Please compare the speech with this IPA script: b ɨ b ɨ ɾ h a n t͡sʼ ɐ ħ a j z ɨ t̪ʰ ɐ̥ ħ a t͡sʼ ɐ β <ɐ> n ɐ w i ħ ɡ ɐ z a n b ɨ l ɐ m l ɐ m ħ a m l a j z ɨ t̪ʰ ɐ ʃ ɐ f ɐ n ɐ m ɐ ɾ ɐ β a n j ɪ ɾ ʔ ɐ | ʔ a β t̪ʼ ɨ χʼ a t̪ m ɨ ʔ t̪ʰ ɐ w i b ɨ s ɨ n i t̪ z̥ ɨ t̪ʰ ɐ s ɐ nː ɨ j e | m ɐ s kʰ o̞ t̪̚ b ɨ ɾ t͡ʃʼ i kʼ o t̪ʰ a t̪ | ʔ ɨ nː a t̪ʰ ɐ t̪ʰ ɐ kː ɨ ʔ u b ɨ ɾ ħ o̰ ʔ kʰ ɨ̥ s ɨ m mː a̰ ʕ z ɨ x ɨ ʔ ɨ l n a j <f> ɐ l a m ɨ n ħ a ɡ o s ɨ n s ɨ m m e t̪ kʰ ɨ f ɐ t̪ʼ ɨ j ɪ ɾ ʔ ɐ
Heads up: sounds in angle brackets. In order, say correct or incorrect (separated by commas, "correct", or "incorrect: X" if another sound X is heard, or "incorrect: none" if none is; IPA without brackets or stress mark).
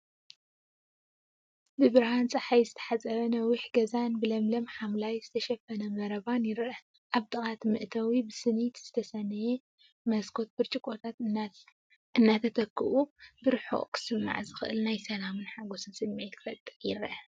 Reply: correct, incorrect: s